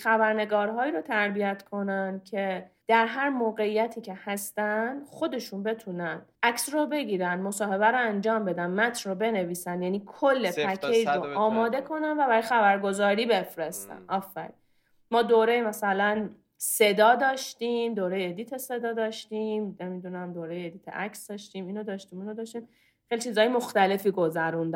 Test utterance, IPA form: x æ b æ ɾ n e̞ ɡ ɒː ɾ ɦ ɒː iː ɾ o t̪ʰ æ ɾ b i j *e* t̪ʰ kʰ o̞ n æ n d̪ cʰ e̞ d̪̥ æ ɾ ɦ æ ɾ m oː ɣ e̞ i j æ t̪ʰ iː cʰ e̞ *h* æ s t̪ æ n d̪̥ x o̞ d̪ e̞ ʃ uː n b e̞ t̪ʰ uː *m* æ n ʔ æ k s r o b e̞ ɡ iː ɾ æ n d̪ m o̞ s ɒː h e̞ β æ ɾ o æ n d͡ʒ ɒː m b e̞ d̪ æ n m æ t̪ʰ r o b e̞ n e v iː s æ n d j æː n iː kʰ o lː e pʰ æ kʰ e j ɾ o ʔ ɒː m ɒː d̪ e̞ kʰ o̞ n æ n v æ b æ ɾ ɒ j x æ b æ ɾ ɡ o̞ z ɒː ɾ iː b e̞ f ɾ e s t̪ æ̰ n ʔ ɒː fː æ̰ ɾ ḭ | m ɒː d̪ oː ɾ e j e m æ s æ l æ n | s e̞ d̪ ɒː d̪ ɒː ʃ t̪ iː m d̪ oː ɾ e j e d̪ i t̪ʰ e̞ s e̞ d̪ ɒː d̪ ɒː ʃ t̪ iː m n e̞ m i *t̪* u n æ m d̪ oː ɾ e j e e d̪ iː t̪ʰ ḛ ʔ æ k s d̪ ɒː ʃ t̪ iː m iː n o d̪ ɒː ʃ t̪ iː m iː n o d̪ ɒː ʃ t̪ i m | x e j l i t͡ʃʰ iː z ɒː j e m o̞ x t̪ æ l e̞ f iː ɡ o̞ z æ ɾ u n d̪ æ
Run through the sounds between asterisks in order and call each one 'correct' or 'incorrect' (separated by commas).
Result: incorrect, correct, incorrect, incorrect